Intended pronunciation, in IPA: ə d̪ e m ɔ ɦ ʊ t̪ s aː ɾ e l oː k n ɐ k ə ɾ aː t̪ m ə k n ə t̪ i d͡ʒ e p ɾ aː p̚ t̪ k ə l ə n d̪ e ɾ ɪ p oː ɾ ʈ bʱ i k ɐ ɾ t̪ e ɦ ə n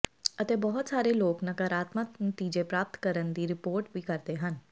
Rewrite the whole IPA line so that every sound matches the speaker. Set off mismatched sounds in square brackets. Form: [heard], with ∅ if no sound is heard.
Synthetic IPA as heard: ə [t̪] e [b] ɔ ɦ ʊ t̪ s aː ɾ e l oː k n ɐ k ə ɾ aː t̪ m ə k n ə t̪ [iː] d͡ʒ e p ɾ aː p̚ t̪ k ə [ɾ] ə n d̪ [i] ɾ ɪ p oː ɾ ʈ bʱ i k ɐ ɾ t̪ e ɦ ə n